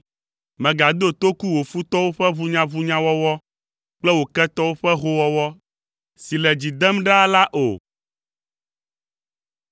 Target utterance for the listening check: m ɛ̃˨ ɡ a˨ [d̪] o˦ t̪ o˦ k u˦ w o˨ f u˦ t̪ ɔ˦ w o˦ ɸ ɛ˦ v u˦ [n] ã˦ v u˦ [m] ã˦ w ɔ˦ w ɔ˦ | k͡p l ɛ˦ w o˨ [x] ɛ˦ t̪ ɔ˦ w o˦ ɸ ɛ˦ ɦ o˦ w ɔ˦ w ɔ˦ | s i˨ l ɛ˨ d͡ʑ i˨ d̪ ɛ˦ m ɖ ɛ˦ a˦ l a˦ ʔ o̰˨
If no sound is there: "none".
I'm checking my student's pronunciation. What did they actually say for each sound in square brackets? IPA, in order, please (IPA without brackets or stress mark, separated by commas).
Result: d̪, ɲ, ɲ, k